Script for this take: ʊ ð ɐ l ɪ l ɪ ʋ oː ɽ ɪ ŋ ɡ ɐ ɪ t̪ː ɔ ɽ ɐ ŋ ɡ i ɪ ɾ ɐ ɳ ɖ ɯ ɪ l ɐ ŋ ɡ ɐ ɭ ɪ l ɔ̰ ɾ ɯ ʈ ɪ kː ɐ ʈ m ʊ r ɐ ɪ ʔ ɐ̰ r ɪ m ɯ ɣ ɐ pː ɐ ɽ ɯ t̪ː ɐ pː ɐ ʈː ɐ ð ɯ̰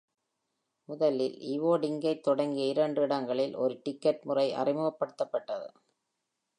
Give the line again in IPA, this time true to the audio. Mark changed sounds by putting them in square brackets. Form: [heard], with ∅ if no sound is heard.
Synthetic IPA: ʊ ð ɐ l ɪ l ɪ ʋ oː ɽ ɪ ŋ ɡ ɐ ɪ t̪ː ɔ ɽ ɐ ŋ ɡ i ɪ ɾ ɐ ɳ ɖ ɯ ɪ [ɽ] ɐ ŋ ɡ ɐ ɭ ɪ l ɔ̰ ɾ ɯ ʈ ɪ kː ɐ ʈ m ʊ r ɐ ɪ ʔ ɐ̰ r ɪ m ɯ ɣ ɐ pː ɐ ɽ ɯ t̪ː ɐ pː ɐ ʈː ɐ ð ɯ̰

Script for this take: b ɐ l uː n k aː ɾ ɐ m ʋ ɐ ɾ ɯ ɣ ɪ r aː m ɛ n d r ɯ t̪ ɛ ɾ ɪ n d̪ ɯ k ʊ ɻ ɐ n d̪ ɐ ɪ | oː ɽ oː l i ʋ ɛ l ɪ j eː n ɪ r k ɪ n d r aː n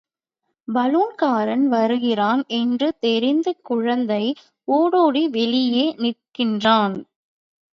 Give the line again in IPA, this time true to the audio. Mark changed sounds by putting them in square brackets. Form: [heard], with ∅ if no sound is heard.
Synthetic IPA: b ɐ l uː n k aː ɾ ɐ [n] ʋ ɐ ɾ ɯ ɣ ɪ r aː [n] ɛ n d r ɯ t̪ ɛ ɾ ɪ n d̪ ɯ k ʊ ɻ ɐ n d̪ ɐ ɪ | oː ɽ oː [ɽ] i ʋ ɛ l ɪ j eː n ɪ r k ɪ n d r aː n

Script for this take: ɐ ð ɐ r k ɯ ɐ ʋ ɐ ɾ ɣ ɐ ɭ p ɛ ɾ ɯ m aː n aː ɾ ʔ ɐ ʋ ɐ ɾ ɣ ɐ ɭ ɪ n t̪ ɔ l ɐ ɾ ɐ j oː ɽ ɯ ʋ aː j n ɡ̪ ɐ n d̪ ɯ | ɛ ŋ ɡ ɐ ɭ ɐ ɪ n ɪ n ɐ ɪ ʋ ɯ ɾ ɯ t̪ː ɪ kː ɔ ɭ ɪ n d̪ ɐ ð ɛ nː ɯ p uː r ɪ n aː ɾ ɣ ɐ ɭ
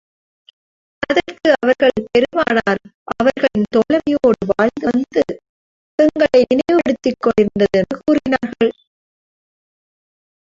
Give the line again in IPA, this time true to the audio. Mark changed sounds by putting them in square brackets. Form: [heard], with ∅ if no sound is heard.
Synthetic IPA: ɐ ð ɐ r k ɯ ɐ ʋ ɐ ɾ ɣ ɐ ɭ p ɛ ɾ ɯ m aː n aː ɾ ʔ ɐ ʋ ɐ ɾ ɣ ɐ ɭ ɪ n t̪ ɔ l ɐ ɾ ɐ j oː ɽ ɯ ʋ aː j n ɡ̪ ɐ n d̪ ɯ | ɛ ŋ ɡ ɐ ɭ ɐ ɪ n ɪ n ɐ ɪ ʋ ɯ [ɽ] ɯ t̪ː ɪ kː ɔ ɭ ɪ n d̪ ɐ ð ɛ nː ɯ [k] uː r ɪ n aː ɾ ɣ ɐ ɭ

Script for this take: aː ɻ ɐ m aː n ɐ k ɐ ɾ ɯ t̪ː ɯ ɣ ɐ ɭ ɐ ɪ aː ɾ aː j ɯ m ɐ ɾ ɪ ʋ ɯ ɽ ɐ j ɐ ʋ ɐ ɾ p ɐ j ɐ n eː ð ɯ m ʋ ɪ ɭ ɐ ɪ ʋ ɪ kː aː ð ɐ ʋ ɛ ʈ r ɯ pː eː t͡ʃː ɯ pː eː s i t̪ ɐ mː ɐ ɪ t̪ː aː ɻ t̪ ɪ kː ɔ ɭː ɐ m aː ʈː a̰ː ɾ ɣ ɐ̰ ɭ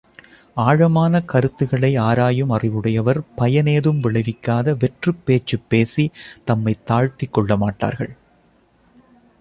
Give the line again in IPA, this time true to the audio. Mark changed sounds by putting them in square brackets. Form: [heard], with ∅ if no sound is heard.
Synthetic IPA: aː ɻ ɐ m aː n ɐ k ɐ ɾ ɯ t̪ː ɯ ɣ ɐ ɭ ɐ ɪ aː ɾ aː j ɯ m ɐ [r] ɪ ʋ ɯ ɽ ɐ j ɐ ʋ ɐ ɾ p ɐ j ɐ n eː ð ɯ m ʋ ɪ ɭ ɐ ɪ ʋ ɪ kː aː ð ɐ ʋ ɛ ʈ r ɯ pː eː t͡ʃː ɯ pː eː s i t̪ ɐ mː ɐ ɪ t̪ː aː ɻ t̪ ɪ kː ɔ ɭː ɐ m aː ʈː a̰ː ɾ ɣ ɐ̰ ɭ

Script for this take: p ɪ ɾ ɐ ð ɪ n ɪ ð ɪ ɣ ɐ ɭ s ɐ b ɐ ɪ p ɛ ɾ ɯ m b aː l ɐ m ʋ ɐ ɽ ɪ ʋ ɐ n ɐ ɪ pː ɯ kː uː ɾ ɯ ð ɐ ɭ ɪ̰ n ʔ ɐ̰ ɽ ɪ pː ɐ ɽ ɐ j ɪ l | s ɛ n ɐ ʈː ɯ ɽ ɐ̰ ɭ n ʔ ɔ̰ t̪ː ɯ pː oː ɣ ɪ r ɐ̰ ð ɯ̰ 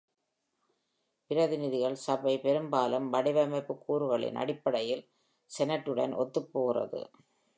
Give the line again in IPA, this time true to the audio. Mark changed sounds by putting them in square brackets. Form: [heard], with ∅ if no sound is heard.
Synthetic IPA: p ɪ ɾ ɐ ð ɪ n ɪ ð ɪ ɣ ɐ ɭ s ɐ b ɐ ɪ p ɛ ɾ ɯ m b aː l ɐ m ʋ ɐ ɽ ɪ ʋ ɐ [m] ɐ ɪ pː ɯ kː uː ɾ ɯ [ɣ] ɐ ɭ ɪ̰ n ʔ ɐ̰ ɽ ɪ pː ɐ ɽ ɐ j ɪ l | s ɛ n ɐ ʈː ɯ ɽ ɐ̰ [∅] n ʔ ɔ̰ t̪ː ɯ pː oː ɣ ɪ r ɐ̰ ð ɯ̰

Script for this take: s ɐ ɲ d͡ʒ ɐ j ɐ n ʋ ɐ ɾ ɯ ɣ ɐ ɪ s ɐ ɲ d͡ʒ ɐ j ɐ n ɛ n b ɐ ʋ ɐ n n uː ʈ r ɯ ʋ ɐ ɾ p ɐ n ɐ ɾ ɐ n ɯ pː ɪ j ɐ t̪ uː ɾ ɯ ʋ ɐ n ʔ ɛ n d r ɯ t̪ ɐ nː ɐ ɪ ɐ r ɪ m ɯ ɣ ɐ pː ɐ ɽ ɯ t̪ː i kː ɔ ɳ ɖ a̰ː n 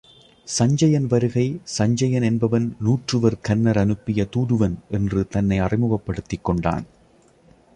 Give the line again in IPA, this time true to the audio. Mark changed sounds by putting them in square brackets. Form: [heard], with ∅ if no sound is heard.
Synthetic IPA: s ɐ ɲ d͡ʒ ɐ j ɐ n ʋ ɐ ɾ ɯ ɣ ɐ ɪ s ɐ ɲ d͡ʒ ɐ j ɐ n ɛ n b ɐ ʋ ɐ n n uː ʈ r ɯ ʋ ɐ ɾ [k] ɐ [nː] ɐ ɾ ɐ n ɯ pː ɪ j ɐ t̪ uː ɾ ɯ ʋ ɐ n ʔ ɛ n d r ɯ t̪ ɐ nː ɐ ɪ ɐ r ɪ m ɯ ɣ ɐ pː ɐ ɽ ɯ t̪ː [ɪ] kː ɔ ɳ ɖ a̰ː n

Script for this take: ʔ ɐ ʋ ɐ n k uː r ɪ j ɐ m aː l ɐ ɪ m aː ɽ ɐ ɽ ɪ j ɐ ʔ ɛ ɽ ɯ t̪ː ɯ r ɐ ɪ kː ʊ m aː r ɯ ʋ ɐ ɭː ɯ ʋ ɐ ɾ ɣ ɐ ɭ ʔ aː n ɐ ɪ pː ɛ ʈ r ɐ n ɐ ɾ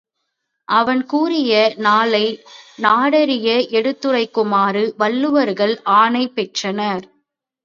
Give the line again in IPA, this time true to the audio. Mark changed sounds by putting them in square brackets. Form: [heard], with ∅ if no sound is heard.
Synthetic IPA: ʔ ɐ ʋ ɐ n k uː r ɪ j ɐ [n] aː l ɐ ɪ [n] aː ɽ ɐ [ɾ] ɪ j ɐ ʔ ɛ ɽ ɯ t̪ː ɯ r ɐ ɪ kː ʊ m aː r ɯ ʋ ɐ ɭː ɯ ʋ ɐ ɾ ɣ ɐ ɭ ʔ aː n ɐ ɪ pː ɛ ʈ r ɐ n ɐ ɾ

